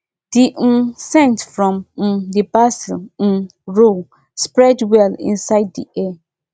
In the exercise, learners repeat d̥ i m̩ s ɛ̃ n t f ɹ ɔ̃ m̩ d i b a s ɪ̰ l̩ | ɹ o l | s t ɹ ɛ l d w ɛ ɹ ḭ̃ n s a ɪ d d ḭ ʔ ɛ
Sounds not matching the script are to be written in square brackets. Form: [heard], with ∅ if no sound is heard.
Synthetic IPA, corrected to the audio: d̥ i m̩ s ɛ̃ n t f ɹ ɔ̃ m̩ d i b a s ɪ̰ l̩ | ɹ o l | s [p] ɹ ɛ [∅] d w ɛ [l] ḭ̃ n s a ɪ d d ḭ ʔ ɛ